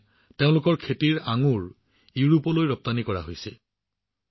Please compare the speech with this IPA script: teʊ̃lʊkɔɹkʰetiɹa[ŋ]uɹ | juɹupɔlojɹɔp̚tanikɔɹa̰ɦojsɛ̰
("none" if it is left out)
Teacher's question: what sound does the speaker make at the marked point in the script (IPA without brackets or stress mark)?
ŋ